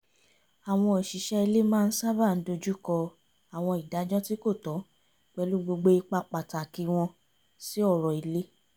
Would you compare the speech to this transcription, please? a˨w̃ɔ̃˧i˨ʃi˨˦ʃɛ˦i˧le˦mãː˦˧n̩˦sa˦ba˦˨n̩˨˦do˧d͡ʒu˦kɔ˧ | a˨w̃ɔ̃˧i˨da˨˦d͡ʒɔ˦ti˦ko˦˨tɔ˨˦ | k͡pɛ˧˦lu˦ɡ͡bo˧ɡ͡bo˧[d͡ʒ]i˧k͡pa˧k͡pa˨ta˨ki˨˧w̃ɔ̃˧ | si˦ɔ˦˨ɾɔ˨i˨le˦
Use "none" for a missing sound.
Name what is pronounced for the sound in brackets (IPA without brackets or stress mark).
none